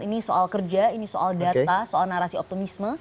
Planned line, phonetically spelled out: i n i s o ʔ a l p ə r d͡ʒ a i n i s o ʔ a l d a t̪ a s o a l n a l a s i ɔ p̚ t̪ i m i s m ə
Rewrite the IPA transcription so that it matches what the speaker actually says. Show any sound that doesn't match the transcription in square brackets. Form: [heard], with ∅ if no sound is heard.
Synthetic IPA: i n i s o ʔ a l [k] ə r d͡ʒ a i n i s o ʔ a l d a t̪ a s o a l n a [ɾ] a s i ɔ p̚ t̪ i m i s m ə